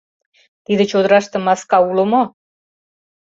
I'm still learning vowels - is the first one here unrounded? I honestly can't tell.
yes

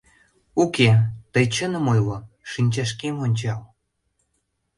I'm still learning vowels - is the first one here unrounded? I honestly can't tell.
no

